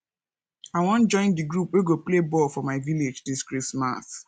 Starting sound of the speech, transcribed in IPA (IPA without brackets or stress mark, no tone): a